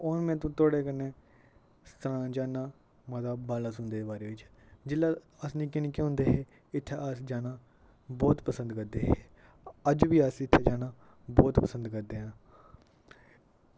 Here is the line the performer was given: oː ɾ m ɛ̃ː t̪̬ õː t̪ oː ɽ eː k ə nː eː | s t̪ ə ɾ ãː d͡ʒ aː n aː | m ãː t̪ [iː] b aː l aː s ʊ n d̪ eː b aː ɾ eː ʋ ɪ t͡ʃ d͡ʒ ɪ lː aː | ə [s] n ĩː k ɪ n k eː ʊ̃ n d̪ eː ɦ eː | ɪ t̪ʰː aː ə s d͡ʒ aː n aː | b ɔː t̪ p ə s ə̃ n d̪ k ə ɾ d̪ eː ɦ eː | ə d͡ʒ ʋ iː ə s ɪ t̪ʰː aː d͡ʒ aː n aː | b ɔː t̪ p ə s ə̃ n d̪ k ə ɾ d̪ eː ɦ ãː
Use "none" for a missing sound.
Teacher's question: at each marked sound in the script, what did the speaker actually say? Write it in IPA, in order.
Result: aː, s

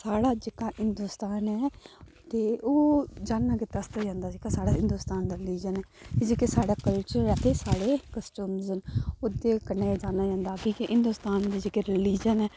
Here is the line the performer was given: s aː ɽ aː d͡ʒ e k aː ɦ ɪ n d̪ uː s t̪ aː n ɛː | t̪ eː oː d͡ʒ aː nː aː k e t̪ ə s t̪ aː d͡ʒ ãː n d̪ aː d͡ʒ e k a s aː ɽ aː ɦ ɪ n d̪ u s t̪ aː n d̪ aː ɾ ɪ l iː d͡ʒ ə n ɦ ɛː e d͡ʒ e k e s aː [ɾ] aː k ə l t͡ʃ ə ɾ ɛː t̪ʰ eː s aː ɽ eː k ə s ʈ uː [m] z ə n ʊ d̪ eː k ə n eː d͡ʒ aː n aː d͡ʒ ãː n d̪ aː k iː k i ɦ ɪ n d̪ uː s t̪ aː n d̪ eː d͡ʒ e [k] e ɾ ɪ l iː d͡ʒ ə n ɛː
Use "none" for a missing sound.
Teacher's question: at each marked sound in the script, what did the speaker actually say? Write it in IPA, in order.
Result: ɽ, m, k

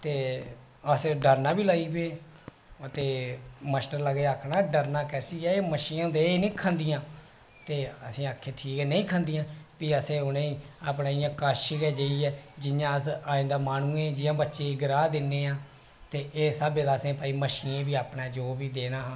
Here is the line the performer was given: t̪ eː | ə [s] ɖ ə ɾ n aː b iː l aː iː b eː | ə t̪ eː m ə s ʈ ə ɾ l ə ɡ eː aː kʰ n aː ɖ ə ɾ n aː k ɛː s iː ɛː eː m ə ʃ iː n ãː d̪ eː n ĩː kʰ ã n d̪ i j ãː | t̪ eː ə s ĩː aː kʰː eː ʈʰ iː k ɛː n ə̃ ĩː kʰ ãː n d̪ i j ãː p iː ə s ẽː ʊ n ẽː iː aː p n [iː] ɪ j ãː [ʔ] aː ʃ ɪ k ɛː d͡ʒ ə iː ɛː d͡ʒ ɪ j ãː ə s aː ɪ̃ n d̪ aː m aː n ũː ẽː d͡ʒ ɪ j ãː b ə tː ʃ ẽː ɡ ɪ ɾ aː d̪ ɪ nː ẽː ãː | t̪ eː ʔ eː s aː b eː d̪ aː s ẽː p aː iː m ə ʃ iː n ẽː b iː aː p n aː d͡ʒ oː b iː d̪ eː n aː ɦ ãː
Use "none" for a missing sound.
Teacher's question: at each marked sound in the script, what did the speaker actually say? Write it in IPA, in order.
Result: s, aː, k

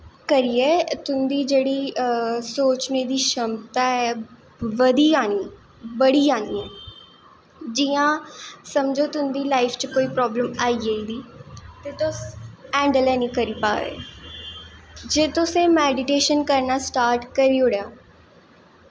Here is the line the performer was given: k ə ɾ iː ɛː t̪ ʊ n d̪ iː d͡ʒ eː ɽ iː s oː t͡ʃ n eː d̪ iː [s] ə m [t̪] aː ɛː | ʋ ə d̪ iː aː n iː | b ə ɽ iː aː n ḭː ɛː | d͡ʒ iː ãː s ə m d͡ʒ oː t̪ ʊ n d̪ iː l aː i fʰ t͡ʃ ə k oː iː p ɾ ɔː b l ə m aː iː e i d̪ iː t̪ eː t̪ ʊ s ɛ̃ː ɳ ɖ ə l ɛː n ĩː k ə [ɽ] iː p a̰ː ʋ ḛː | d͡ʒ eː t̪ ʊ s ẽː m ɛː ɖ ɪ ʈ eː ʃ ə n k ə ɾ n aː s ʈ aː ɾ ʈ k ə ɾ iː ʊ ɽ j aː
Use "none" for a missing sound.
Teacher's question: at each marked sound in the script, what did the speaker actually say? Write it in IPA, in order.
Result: ʃ, t̪, ɾ

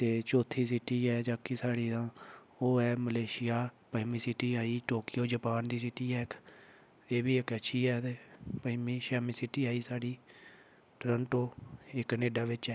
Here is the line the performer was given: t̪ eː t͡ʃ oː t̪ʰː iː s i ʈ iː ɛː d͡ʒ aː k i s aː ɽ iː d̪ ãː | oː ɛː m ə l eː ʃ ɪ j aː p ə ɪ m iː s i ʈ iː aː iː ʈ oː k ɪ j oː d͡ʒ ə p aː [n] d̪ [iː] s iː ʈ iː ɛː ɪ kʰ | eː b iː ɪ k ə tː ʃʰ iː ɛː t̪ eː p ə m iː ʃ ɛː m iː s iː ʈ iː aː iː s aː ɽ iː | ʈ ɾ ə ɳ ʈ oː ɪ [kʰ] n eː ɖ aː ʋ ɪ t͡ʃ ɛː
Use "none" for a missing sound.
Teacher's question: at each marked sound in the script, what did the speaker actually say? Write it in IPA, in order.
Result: n, iː, k

